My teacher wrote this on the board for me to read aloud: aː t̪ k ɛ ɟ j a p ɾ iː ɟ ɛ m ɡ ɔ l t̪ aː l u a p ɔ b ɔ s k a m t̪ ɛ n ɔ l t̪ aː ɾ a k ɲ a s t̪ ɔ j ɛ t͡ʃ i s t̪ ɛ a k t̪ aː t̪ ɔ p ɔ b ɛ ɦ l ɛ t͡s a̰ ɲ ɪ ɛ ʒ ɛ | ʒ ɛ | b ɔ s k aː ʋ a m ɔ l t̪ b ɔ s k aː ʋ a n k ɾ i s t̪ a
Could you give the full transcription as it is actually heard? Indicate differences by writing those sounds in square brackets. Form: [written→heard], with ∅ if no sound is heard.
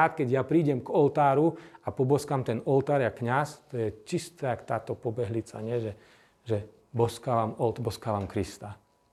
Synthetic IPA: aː t̪ k ɛ ɟ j a p ɾ iː ɟ ɛ m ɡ ɔ l t̪ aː [l→ɾ] u a p ɔ b ɔ s k a m t̪ ɛ n ɔ l t̪ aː ɾ a k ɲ a s t̪ ɔ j ɛ t͡ʃ i s t̪ ɛ a k t̪ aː t̪ ɔ p ɔ b ɛ ɦ l [ɛ→i] t͡s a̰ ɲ ɪ ɛ ʒ ɛ | ʒ ɛ | b ɔ s k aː ʋ a m ɔ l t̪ b ɔ s k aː ʋ a [n→m] k ɾ i s t̪ a